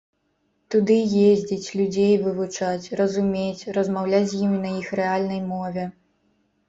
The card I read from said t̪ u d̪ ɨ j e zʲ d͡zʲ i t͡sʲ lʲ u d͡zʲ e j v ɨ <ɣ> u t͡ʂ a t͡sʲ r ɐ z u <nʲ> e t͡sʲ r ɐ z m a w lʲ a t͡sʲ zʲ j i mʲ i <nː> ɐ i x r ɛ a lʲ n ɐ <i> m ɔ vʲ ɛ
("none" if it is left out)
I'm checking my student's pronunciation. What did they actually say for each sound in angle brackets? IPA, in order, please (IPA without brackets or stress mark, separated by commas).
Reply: v, mʲ, n, j